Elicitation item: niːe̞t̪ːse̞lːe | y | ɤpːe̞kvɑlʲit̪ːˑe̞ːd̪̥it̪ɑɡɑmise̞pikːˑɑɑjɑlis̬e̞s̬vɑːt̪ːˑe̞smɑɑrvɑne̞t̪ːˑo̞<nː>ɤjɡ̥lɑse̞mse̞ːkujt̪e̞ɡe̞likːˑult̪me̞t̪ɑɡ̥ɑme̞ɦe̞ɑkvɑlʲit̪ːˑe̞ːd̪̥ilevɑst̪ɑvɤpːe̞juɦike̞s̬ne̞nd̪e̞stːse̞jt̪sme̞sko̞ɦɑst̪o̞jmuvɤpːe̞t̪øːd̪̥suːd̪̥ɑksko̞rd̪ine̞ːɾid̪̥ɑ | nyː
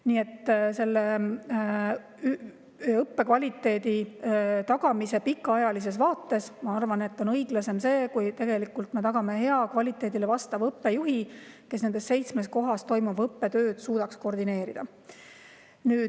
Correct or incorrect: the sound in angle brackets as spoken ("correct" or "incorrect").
incorrect